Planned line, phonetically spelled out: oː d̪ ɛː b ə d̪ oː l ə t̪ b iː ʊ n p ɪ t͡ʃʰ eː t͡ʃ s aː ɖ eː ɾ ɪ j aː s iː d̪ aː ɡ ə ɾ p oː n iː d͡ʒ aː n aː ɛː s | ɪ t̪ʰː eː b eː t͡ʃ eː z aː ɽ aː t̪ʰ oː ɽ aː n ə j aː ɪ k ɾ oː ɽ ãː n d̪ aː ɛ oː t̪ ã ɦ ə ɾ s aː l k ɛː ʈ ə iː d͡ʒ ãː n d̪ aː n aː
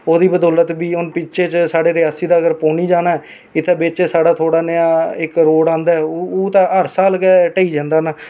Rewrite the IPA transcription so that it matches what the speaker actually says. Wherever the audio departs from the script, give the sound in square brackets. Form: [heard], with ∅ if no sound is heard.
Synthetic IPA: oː d̪ [iː] b ə d̪ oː l ə t̪ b iː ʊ n p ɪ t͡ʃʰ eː t͡ʃ s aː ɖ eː ɾ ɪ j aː s iː d̪ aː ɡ ə ɾ p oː n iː d͡ʒ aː n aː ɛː [∅] | ɪ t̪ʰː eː b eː t͡ʃ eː [s] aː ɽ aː t̪ʰ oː ɽ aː n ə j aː ɪ k ɾ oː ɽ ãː n d̪ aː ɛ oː t̪ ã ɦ ə ɾ s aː l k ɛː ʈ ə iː d͡ʒ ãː n d̪ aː n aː